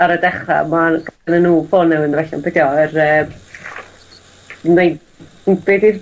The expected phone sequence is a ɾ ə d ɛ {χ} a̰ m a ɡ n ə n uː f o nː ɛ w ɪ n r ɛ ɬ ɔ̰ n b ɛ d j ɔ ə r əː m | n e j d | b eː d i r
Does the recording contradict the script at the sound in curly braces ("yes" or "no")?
no